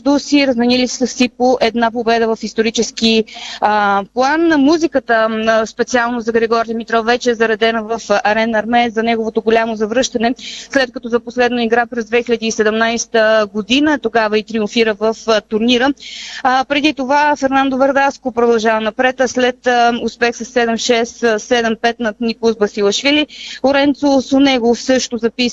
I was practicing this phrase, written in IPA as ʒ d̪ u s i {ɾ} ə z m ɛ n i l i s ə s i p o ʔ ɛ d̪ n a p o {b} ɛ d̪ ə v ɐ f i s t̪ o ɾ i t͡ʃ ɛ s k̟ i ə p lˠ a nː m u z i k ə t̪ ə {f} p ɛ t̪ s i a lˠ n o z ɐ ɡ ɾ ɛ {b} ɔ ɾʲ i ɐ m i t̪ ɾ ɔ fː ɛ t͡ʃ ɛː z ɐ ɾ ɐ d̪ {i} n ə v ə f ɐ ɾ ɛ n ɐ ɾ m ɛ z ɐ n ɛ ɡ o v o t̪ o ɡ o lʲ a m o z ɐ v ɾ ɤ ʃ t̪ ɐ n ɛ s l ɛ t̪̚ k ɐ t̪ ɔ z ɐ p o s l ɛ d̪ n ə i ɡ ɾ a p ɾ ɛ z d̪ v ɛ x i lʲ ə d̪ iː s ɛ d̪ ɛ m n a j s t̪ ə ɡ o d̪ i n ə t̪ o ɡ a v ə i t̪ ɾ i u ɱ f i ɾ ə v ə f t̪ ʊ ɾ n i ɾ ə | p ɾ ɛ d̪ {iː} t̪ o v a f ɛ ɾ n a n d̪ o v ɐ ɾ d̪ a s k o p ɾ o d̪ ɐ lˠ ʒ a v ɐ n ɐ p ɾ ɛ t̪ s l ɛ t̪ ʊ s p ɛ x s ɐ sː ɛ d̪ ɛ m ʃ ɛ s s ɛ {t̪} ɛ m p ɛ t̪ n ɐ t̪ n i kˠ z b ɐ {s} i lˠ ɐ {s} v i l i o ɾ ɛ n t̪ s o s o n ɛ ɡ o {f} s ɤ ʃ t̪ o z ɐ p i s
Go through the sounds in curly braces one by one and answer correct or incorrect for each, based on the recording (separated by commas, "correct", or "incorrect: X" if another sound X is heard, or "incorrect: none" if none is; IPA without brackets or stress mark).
correct, correct, incorrect: s, incorrect: ɡ, incorrect: ɛ, incorrect: i, incorrect: d̪, correct, incorrect: ʃ, correct